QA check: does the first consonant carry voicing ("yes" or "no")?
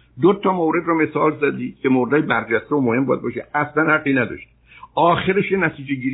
yes